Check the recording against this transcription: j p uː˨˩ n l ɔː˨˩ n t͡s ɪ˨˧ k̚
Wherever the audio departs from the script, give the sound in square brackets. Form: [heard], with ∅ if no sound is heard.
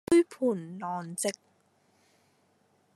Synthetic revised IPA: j [pʰ] uː˨˩ n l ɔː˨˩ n t͡s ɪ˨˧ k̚